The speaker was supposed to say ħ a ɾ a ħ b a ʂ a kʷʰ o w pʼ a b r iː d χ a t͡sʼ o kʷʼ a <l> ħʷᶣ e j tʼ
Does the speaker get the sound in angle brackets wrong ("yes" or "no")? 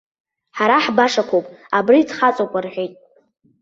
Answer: yes